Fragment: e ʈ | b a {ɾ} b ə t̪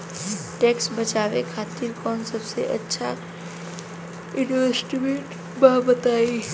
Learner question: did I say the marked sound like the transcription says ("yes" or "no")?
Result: no